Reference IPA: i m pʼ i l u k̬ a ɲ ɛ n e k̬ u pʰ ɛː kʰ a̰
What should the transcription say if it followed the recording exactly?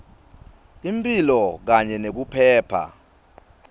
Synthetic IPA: i m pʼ i l ɔ k̬ a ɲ ɛ n e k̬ u pʰ ɛː pʰ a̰